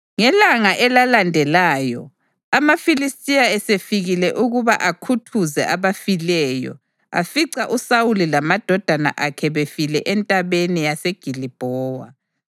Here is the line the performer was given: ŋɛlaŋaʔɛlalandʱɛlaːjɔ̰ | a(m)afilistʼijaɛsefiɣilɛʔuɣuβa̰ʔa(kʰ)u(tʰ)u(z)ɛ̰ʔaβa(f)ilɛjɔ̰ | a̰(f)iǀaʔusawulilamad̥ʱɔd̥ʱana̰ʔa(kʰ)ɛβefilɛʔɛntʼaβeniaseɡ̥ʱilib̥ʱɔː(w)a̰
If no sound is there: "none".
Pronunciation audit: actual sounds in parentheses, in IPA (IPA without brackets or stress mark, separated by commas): m, kʰ, tʰ, z, f, f, kʰ, w